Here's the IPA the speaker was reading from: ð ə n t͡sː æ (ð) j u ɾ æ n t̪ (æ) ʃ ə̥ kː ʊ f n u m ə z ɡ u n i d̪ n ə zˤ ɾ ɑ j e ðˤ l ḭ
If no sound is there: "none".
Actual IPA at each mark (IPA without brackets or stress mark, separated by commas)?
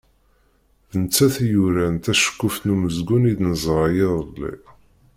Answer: θ, æ